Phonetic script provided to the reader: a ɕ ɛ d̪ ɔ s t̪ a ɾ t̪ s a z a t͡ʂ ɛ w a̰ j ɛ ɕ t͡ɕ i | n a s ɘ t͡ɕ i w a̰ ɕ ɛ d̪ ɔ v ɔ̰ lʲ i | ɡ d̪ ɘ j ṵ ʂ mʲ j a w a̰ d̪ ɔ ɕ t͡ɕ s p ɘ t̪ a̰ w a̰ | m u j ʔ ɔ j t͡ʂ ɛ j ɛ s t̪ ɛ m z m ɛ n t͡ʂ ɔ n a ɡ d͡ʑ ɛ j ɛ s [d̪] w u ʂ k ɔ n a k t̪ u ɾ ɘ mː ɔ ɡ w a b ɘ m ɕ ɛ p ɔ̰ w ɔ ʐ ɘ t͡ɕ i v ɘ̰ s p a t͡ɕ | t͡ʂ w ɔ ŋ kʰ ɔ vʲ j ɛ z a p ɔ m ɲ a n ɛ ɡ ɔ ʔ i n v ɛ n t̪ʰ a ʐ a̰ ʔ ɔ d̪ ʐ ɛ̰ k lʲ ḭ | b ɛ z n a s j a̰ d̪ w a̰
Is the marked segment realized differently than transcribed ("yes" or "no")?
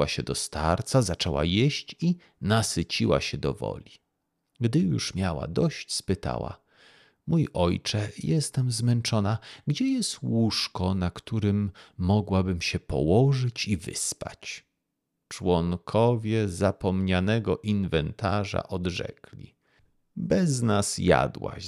yes